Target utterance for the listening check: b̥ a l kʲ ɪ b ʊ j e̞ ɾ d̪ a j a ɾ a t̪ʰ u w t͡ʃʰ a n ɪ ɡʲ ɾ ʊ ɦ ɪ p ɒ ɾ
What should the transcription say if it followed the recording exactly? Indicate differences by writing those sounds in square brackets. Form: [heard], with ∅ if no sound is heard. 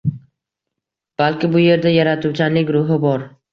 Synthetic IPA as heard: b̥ a l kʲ ɪ b ʊ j e̞ ɾ d̪ a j a ɾ a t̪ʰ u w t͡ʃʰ a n ɪ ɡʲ ɾ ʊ ɦ ɪ [b] ɒ ɾ